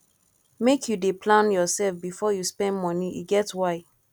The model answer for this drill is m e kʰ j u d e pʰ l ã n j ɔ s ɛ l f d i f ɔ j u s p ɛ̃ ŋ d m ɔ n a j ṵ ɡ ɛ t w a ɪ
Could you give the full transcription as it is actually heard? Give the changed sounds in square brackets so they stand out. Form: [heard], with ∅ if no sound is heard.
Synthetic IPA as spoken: m e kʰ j u d e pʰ l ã n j ɔ s ɛ l f [b] i f ɔ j u s p ɛ̃ [n] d m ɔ n [i] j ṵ ɡ ɛ t w a ɪ